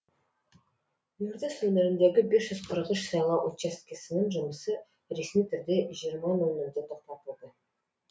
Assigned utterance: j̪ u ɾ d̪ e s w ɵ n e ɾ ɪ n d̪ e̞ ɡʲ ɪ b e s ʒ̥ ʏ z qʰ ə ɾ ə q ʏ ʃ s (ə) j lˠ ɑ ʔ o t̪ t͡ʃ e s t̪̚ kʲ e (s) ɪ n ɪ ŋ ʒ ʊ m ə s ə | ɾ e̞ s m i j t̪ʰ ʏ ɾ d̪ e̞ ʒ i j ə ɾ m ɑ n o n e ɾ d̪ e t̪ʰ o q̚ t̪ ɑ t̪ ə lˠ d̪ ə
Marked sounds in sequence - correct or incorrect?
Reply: incorrect: ɑ, correct

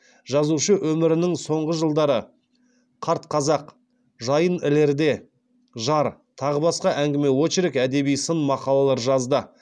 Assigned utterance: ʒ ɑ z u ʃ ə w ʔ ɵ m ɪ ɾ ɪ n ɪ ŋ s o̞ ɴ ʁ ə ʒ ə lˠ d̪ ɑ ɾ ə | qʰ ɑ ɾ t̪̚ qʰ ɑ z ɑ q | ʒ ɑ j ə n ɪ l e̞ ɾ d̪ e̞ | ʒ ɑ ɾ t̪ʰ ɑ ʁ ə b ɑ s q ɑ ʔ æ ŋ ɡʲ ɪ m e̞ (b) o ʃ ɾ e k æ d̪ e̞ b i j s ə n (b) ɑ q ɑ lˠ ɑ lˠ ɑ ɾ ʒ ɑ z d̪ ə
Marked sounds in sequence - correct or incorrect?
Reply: incorrect: w, incorrect: m

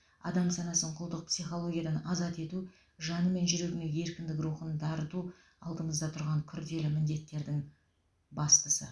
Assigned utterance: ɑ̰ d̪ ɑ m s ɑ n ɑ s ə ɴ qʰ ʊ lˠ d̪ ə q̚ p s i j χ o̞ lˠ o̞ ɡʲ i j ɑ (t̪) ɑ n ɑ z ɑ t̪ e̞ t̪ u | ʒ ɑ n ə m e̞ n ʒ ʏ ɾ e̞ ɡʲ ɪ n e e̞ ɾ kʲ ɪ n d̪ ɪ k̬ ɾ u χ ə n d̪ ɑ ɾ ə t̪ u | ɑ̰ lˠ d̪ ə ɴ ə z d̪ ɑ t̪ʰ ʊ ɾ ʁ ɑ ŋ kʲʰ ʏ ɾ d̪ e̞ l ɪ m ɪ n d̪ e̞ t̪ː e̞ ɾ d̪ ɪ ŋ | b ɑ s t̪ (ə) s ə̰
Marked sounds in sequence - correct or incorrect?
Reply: incorrect: d̪, correct

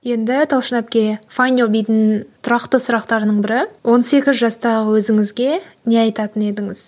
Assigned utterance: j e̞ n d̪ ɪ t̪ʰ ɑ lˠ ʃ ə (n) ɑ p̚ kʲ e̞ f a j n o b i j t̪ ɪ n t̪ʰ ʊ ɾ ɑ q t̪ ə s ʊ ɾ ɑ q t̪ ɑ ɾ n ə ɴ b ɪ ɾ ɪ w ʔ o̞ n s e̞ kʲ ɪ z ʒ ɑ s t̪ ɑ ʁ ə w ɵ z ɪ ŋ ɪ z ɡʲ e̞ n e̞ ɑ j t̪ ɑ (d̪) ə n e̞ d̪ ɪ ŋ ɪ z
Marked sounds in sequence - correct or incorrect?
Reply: correct, incorrect: t̪

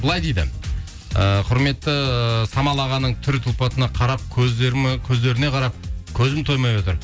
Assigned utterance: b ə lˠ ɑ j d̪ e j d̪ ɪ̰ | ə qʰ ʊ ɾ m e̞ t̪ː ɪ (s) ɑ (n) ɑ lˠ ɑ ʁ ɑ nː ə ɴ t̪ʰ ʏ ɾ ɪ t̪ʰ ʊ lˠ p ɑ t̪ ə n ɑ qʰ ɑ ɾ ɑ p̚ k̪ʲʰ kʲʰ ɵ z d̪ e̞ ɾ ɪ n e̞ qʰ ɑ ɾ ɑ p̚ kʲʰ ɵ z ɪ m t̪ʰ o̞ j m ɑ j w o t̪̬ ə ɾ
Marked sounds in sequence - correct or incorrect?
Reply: correct, incorrect: m

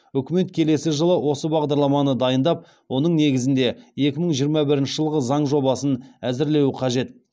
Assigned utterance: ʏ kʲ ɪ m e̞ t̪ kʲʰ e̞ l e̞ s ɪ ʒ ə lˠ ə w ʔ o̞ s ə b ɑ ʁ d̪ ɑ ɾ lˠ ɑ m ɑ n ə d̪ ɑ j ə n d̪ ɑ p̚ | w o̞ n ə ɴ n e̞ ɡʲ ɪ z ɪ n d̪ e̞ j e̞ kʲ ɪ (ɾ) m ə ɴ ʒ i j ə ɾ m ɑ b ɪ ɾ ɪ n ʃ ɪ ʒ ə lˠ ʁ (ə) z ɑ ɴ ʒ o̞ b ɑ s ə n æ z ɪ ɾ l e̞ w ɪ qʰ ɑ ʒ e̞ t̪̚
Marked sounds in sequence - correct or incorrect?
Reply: incorrect: none, correct

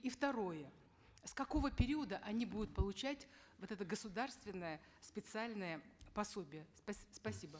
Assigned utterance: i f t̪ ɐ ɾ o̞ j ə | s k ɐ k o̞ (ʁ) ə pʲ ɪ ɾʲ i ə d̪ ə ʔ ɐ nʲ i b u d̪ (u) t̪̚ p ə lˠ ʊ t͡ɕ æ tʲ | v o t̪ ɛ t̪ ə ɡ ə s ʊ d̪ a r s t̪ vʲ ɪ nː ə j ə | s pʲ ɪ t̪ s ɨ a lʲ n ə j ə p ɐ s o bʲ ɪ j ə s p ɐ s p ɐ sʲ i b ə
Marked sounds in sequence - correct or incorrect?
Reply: incorrect: v, incorrect: ʊ

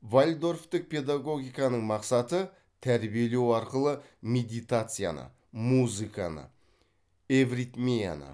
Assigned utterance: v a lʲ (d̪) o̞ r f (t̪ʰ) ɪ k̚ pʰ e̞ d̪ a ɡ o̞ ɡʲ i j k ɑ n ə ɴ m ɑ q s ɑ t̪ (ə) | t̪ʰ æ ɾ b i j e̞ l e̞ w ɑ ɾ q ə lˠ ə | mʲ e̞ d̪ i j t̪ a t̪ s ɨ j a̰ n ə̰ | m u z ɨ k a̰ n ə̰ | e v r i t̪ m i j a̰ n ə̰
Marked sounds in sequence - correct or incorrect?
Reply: correct, incorrect: t̪, correct

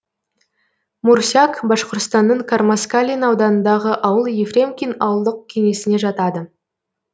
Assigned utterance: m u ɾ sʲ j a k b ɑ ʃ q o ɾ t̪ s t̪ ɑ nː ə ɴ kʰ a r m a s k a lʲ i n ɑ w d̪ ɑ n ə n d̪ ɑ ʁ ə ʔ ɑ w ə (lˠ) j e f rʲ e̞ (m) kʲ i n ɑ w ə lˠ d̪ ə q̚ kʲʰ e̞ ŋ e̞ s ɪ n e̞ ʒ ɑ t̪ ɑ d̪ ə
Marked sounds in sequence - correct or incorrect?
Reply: correct, correct

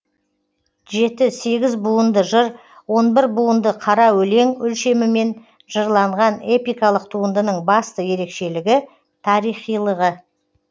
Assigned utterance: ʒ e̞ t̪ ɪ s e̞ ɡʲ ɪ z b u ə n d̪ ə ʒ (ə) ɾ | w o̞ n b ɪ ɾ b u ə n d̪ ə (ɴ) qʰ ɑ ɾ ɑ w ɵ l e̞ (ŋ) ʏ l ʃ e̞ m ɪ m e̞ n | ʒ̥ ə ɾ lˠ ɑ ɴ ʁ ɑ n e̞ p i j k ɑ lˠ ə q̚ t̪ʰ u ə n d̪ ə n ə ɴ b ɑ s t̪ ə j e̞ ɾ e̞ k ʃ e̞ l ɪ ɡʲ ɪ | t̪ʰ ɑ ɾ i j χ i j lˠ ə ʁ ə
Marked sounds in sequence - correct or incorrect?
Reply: correct, incorrect: none, correct

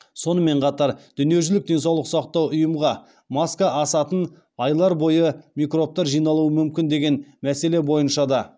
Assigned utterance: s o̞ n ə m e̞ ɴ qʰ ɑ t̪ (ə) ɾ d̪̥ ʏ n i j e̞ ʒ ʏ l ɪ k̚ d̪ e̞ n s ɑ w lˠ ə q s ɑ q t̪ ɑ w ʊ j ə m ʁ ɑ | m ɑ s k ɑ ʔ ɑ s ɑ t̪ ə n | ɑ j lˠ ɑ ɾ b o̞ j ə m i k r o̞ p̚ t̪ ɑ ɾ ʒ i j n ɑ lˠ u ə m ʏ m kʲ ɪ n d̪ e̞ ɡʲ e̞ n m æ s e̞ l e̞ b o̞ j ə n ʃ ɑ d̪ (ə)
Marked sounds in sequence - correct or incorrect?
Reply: incorrect: ɑ, incorrect: ɑ

